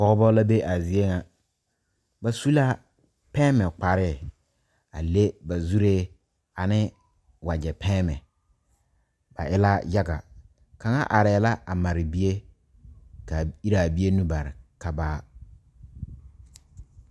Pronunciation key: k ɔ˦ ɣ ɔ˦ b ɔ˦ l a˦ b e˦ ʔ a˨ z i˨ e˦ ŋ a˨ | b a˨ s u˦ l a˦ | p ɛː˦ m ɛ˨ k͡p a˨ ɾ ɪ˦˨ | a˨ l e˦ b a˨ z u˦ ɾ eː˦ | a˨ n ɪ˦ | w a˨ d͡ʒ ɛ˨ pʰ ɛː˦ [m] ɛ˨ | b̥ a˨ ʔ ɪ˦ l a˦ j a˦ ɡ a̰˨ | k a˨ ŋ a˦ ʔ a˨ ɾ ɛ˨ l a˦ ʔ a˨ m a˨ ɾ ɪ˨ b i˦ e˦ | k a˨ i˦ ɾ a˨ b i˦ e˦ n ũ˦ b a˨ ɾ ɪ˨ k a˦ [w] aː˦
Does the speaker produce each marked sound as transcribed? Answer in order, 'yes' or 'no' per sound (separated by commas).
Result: yes, no